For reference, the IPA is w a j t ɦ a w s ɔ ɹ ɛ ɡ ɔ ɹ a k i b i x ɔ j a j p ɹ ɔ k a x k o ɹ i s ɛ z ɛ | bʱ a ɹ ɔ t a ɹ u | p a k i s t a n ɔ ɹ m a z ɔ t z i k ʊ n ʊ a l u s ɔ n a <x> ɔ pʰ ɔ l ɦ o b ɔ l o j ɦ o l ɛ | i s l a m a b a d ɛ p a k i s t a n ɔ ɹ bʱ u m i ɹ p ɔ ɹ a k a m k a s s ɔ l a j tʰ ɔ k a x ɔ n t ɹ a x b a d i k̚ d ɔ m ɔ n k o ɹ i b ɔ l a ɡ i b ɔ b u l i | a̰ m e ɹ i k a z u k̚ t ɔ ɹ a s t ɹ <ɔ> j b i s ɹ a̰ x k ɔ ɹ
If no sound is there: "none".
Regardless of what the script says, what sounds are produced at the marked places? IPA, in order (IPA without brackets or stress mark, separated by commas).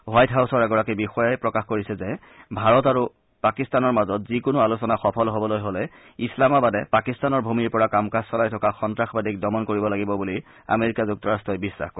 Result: x, ɔ